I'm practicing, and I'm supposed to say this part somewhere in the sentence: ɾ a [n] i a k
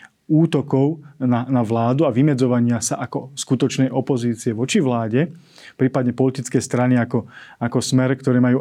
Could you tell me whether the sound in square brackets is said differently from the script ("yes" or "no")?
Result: no